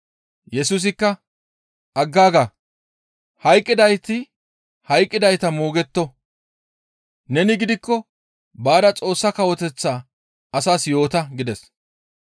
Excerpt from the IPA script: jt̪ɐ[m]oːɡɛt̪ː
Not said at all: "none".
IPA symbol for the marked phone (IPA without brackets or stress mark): m